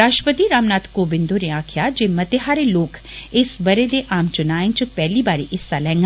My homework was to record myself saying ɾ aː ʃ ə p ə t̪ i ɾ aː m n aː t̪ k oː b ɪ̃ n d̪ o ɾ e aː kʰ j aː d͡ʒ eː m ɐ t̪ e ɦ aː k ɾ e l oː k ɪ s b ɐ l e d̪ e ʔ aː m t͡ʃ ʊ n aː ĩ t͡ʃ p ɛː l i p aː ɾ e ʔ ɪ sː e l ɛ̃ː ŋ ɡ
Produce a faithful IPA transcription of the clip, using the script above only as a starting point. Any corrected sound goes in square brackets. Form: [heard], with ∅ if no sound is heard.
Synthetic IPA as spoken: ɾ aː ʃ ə p ə t̪ i ɾ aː m n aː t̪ k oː b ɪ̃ n d̪ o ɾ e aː kʰ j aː d͡ʒ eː m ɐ t̪ e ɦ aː [∅] ɾ e l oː k ɪ s b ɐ [ɾ] e d̪ e ʔ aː m t͡ʃ ʊ n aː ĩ t͡ʃ p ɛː l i [b] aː ɾ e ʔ ɪ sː [a] l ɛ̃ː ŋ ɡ

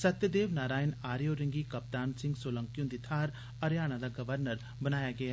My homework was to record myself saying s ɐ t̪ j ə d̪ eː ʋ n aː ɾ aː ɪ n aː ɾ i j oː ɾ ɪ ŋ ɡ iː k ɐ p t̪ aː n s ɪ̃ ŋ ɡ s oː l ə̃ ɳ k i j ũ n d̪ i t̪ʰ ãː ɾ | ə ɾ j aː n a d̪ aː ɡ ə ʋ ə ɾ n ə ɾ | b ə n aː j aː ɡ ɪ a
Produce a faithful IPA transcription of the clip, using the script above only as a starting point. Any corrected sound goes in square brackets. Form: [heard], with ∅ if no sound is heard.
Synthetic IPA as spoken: s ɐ t̪ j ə d̪ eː ʋ n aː ɾ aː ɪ n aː ɾ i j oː ɾ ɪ ŋ ɡ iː k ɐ p t̪ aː n s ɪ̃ ŋ ɡ s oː l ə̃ [ŋ] k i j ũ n d̪ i t̪ʰ [aː] ɾ | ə ɾ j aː n a d̪ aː ɡ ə ʋ ə ɾ n ə ɾ | b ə n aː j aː ɡ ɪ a

